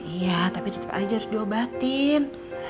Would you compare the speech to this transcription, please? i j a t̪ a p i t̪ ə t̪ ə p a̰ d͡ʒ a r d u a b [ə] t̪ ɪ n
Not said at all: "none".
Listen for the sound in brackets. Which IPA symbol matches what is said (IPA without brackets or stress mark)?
a